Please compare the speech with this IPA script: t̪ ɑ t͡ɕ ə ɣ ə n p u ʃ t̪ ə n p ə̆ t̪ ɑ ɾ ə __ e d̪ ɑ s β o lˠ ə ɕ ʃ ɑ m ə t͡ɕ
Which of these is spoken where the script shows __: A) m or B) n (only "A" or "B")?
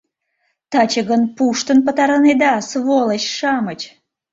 B